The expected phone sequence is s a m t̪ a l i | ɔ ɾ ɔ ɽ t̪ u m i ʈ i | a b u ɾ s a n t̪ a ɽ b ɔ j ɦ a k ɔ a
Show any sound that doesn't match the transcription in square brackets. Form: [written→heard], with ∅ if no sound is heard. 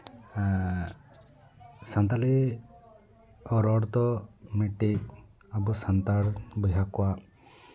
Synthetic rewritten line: s a [m→n] t̪ a l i | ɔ ɾ ɔ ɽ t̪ [u→ɔ] m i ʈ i | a b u [ɾ→∅] s a n t̪ a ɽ b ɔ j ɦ a k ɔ a